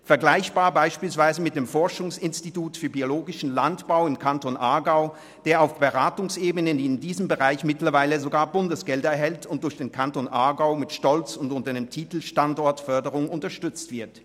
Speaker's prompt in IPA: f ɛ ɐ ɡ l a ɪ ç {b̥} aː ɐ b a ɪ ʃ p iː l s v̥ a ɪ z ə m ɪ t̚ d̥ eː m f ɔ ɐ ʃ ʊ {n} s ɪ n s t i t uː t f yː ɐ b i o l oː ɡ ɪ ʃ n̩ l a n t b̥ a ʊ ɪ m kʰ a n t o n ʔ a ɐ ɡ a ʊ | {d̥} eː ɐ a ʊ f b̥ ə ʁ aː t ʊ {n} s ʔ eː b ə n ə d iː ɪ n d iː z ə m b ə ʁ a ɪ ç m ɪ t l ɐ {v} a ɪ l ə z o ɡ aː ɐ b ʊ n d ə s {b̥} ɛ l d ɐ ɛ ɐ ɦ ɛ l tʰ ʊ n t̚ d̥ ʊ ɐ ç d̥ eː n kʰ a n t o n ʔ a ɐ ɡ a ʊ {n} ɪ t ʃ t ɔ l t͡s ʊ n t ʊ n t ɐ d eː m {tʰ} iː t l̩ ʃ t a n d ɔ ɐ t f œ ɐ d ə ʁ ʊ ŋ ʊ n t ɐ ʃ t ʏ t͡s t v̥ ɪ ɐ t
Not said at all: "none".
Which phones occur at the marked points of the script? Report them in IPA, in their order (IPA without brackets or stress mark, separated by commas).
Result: b̥, ŋ, d̥, ŋ, v, ɡ̥, m, tʰ